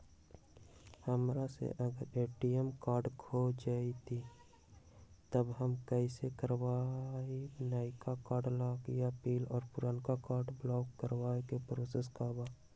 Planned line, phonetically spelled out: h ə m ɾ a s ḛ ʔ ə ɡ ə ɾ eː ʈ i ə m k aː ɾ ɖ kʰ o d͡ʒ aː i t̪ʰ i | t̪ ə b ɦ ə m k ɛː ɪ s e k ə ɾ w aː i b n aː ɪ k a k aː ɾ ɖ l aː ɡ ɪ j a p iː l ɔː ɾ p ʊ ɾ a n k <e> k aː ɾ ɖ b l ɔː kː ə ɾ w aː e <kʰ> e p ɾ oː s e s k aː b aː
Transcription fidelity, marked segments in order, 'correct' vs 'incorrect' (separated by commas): incorrect, incorrect